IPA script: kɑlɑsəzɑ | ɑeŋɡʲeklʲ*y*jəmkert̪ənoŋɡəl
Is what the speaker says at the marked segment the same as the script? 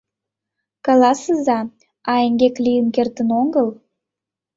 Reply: no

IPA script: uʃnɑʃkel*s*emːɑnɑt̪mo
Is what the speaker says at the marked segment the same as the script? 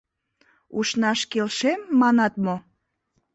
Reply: no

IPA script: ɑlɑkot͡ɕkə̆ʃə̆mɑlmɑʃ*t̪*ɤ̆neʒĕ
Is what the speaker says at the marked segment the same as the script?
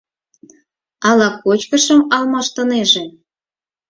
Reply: yes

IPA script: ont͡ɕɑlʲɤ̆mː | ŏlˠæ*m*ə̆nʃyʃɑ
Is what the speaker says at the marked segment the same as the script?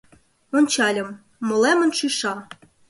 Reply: yes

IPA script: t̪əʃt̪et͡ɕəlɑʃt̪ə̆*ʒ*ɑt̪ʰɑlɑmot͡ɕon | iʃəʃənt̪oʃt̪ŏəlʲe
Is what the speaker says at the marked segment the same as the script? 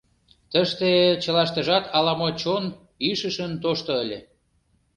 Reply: yes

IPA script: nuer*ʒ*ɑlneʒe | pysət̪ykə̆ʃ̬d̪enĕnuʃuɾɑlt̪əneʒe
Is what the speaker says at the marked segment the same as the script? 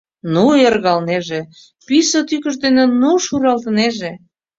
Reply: no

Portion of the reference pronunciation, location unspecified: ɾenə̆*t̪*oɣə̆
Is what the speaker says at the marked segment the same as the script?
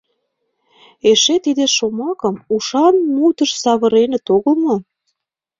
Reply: yes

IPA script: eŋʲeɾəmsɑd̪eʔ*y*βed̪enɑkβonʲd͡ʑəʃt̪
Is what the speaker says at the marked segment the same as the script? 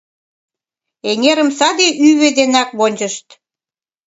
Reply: yes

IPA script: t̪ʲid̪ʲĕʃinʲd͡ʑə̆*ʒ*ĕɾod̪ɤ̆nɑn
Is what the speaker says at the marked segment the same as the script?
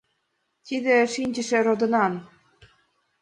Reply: no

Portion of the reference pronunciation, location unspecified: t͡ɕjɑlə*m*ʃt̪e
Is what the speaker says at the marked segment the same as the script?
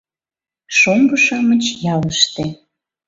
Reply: no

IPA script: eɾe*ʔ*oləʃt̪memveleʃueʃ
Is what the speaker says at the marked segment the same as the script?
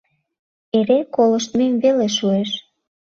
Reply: no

